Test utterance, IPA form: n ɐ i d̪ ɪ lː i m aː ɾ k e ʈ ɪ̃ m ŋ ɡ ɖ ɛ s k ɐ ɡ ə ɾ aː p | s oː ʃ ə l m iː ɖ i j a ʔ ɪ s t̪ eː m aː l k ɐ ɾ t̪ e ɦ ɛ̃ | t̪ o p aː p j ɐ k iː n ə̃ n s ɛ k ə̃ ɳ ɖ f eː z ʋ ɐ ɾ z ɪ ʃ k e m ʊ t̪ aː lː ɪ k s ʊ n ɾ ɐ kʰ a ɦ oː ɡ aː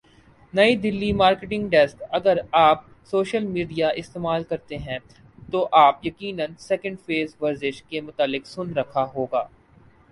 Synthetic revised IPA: n ɐ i d̪ ɪ lː i m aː ɾ k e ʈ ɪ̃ ŋ ɡ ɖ ɛ s k ɐ ɡ ə ɾ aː p | s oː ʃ ə l m iː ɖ i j a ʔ ɪ s t̪ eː m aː l k ɐ ɾ t̪ e ɦ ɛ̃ | t̪ o ʔ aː p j ɐ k iː n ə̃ n s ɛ k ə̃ ɳ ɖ f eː z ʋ ɐ ɾ z ɪ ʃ k e m ʊ t̪ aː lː ɪ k s ʊ n ɾ ɐ kʰ a ɦ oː ɡ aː